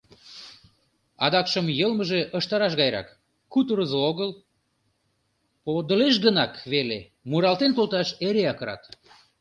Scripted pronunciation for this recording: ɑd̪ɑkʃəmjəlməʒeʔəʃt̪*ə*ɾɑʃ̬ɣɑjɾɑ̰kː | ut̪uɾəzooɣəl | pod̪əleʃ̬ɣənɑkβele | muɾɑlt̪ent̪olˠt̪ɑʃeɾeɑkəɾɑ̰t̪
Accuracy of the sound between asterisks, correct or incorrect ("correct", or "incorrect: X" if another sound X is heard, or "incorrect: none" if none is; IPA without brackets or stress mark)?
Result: incorrect: ɑ